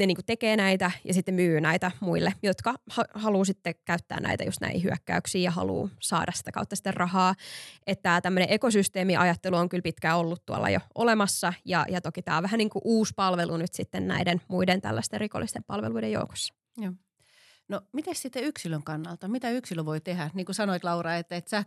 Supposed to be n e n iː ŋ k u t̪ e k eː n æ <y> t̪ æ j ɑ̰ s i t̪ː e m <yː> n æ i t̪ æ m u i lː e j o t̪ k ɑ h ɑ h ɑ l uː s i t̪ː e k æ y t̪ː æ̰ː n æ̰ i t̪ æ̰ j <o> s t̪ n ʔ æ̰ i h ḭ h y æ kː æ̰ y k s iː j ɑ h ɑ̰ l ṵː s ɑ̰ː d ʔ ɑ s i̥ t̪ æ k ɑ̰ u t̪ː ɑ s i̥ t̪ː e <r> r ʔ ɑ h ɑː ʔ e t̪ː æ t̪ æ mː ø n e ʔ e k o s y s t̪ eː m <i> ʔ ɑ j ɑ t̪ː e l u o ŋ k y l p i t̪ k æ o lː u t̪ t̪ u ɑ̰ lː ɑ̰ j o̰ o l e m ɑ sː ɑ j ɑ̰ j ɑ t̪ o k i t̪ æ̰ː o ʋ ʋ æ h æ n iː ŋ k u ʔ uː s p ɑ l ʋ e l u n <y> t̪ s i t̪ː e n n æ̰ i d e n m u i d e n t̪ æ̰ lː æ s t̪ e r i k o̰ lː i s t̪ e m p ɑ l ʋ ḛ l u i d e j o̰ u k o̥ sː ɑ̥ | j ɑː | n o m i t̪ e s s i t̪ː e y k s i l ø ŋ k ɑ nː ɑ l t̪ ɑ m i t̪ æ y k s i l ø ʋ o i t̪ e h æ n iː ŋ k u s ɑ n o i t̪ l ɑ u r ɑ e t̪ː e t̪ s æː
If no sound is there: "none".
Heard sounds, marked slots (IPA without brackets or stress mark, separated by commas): i, yː, u, r, i, y